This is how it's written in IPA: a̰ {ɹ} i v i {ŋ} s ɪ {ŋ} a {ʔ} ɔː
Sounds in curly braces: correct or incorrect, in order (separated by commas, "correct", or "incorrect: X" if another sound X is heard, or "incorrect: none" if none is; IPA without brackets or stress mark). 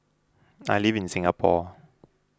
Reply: incorrect: l, incorrect: n, correct, incorrect: p